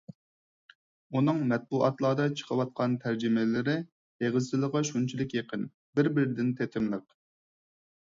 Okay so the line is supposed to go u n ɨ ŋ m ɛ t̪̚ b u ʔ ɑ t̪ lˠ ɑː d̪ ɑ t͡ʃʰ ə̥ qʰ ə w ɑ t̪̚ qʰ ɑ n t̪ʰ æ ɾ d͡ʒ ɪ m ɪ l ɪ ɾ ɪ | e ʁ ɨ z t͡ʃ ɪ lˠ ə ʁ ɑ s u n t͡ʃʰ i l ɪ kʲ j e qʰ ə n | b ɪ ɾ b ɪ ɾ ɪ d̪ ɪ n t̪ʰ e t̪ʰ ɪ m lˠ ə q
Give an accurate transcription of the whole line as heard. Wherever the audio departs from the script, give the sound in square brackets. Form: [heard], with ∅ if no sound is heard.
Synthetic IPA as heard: u n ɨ ŋ m ɛ t̪̚ b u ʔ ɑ t̪ lˠ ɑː d̪ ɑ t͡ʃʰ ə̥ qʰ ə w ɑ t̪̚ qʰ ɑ n t̪ʰ æ ɾ d͡ʒ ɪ m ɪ l ɪ ɾ ɪ | e ʁ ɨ z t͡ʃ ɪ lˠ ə ʁ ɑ [ʃ] u n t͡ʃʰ i l ɪ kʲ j e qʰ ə n | b ɪ ɾ b ɪ ɾ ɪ d̪ ɪ n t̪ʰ e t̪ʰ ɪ m lˠ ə q